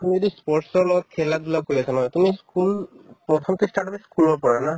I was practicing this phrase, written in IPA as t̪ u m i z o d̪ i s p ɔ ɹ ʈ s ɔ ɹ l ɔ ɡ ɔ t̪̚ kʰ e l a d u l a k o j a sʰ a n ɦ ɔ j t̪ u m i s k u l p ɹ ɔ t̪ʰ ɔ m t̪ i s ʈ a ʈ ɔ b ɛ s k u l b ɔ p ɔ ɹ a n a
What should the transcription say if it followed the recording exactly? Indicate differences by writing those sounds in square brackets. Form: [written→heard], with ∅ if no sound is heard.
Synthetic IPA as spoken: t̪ u m i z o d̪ i s p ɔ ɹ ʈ s ɔ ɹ l ɔ ɡ ɔ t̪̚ kʰ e l a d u l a k o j a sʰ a n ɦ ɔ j t̪ u m i s k u l p ɹ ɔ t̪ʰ ɔ m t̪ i s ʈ a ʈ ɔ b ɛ s k u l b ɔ p ɔ ɹ a n a